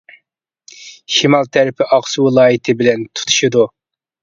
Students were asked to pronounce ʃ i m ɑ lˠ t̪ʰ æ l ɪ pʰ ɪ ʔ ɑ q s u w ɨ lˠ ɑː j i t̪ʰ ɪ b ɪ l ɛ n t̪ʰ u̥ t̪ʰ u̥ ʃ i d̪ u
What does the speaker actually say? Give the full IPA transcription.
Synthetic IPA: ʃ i m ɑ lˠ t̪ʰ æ ɾ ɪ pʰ ɪ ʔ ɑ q s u w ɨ lˠ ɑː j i t̪ʰ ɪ b ɪ l ɛ n t̪ʰ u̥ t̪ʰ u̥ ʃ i d̪ u